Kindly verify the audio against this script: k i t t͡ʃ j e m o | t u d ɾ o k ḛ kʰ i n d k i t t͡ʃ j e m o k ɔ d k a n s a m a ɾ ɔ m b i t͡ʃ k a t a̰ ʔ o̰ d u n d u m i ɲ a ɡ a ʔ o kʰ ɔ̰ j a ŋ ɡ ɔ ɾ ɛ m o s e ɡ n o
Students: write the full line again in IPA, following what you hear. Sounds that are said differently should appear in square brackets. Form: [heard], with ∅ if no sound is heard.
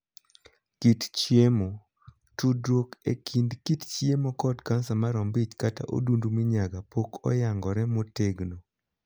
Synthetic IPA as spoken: k i t t͡ʃ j e m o | t u d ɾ o k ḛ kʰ i n d k i t t͡ʃ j e m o k ɔ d k a n s a m a ɾ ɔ m b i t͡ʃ k a t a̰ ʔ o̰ d u n d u m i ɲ a ɡ a [p] o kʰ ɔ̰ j a ŋ ɡ ɔ ɾ ɛ m o [t] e ɡ n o